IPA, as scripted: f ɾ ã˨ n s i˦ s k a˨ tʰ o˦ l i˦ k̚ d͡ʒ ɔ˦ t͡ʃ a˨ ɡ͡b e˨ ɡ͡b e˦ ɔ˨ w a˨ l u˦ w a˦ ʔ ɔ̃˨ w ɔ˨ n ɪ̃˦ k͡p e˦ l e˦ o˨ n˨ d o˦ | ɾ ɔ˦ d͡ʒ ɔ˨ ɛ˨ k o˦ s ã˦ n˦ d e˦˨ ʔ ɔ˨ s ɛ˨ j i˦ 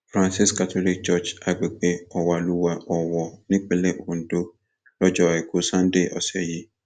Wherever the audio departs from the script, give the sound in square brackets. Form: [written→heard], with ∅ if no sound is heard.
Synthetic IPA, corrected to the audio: f ɾ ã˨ n s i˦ s k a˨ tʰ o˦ l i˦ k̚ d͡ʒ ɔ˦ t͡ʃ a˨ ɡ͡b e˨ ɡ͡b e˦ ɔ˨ w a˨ l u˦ w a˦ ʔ [ɔ̃˨→ɔ˨] w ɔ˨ n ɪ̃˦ k͡p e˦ l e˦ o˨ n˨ d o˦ | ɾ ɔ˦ d͡ʒ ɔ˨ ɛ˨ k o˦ s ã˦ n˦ d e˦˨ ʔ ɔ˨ s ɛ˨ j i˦